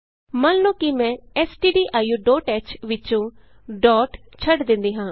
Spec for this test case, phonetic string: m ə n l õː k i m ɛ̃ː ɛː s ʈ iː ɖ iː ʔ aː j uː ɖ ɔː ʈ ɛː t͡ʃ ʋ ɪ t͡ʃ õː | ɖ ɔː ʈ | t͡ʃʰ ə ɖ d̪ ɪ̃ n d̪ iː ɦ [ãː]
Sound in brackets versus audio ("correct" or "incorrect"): correct